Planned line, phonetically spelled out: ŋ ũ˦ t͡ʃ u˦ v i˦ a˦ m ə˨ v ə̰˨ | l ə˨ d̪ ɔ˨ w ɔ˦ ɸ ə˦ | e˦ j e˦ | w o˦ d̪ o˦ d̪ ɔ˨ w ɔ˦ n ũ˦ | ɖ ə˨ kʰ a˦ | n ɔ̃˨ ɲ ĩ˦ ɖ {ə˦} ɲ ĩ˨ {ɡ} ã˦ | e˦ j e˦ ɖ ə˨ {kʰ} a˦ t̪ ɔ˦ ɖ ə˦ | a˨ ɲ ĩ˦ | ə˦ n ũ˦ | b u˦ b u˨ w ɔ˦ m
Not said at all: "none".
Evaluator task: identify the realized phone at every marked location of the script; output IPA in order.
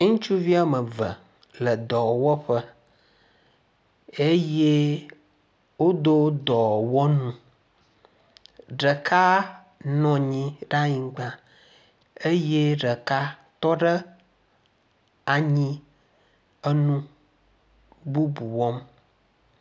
a˦, ɡ͡b, k

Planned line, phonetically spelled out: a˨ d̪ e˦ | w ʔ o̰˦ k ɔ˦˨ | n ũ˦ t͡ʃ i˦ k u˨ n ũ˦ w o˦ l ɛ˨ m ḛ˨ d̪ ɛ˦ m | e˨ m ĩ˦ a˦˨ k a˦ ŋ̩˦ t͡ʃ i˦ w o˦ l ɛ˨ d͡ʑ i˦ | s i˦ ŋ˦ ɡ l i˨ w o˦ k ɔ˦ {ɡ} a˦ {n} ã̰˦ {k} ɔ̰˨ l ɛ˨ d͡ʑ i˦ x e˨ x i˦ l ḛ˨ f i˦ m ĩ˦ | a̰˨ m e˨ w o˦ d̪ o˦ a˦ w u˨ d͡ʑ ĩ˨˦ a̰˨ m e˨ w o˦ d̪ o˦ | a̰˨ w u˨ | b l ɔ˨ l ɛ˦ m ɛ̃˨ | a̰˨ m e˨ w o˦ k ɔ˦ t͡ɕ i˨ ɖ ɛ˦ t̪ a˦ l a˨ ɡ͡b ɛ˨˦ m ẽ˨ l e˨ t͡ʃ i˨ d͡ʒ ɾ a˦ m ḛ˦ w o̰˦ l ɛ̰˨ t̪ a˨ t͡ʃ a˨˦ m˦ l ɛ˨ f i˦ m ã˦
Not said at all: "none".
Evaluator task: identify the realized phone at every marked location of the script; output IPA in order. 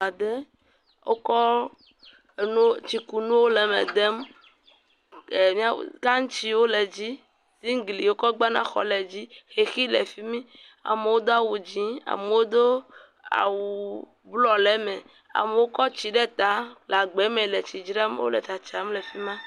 ɡ͡b, n, x

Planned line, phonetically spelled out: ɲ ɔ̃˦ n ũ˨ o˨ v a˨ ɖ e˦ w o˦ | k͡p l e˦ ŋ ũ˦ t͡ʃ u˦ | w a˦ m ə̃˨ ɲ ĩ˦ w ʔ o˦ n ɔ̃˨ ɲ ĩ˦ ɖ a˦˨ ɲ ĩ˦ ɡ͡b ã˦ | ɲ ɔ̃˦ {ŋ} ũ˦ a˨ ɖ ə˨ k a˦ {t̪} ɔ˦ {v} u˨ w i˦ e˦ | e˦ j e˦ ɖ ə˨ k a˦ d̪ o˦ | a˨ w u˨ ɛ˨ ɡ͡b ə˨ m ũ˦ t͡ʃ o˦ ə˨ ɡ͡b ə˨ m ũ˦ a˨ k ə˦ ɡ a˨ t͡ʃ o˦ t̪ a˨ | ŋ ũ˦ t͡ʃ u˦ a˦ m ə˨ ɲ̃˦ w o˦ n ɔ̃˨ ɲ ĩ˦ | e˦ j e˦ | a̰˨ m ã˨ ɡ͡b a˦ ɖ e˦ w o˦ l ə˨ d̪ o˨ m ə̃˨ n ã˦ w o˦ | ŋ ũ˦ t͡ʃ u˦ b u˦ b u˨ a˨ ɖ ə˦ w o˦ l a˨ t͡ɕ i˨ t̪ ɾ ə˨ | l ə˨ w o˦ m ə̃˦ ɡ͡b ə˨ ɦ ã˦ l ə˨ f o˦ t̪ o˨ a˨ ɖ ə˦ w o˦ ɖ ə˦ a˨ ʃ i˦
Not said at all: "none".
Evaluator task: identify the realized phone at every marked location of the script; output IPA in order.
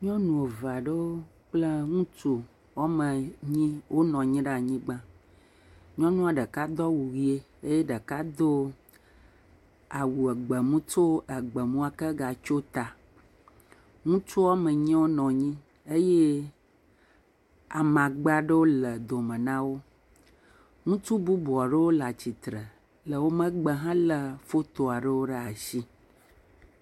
n, d̪, w

